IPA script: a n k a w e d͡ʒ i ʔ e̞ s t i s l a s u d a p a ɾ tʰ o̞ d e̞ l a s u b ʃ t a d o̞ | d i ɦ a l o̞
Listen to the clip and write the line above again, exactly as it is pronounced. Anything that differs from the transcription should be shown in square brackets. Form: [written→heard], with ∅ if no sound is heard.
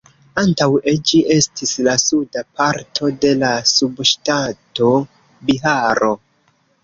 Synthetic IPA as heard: a n [k→t] a w e d͡ʒ i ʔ e̞ s t i s l a s u d a p a ɾ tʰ o̞ d e̞ l a s u b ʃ t a [d→t] o̞ | [d→b] i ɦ a [l→ɾ] o̞